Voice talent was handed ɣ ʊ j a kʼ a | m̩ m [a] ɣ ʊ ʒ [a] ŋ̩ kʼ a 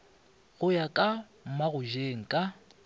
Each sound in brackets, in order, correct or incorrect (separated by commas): correct, incorrect